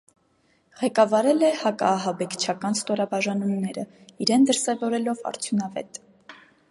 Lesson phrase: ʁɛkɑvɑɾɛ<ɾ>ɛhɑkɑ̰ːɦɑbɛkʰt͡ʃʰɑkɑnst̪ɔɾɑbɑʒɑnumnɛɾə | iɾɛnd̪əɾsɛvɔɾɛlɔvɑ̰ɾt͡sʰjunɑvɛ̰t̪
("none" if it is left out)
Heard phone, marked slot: l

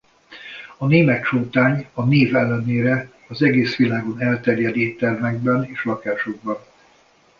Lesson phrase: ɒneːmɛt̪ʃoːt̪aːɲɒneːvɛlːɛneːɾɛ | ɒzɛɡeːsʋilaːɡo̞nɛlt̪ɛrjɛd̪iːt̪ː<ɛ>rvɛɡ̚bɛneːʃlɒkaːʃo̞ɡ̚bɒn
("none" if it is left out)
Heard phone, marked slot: ɛ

